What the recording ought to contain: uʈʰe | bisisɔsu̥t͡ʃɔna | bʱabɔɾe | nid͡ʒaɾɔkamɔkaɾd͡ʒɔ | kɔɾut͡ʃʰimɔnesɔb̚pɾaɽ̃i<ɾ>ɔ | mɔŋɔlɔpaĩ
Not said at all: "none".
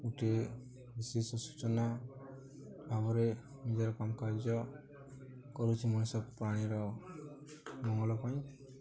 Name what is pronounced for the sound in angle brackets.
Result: ɾ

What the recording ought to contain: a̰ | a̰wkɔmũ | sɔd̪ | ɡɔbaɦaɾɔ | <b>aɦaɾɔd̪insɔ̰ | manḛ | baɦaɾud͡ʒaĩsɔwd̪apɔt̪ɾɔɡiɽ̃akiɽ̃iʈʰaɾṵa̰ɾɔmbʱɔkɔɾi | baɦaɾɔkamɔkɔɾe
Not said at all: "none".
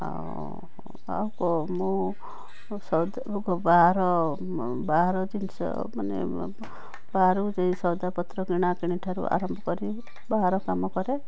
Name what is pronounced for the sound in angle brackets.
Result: b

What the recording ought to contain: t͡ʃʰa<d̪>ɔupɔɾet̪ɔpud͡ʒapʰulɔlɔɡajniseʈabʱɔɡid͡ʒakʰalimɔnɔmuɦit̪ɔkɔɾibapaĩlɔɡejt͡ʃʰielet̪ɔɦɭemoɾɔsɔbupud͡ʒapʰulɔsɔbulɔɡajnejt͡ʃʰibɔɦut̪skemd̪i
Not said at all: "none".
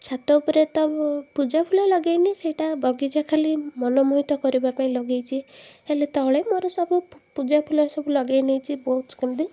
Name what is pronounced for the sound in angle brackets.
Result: t̪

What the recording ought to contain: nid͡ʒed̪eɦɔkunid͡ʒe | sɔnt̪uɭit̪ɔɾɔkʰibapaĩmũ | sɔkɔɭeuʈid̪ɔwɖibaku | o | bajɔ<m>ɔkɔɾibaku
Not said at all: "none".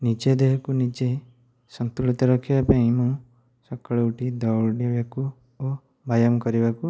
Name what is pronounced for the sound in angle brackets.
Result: m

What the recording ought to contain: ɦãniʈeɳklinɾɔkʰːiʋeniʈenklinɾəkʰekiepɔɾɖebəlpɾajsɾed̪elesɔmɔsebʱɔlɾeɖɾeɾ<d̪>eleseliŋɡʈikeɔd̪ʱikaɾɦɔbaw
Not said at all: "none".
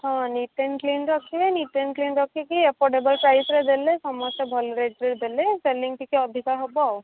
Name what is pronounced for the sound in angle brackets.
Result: d̪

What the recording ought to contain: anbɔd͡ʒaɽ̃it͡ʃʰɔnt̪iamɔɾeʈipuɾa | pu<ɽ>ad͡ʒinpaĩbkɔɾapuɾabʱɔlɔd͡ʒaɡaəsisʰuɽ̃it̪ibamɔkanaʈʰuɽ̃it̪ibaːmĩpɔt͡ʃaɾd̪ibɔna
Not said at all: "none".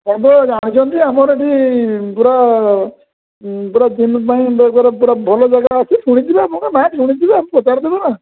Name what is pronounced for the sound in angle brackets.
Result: ɾ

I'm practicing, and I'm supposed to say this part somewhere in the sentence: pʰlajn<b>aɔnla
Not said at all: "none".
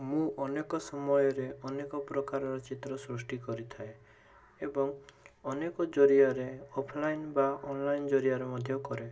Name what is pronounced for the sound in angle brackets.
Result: b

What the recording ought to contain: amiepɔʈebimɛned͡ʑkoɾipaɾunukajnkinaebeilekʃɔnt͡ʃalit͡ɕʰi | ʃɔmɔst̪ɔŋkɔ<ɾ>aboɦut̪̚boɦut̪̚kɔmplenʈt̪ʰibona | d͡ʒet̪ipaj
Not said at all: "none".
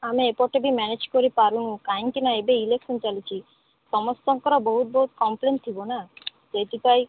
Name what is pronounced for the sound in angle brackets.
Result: ɾ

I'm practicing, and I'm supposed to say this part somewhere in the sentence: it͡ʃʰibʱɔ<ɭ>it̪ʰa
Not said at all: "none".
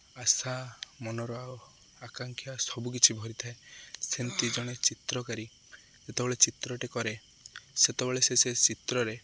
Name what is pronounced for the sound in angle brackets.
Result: ɾ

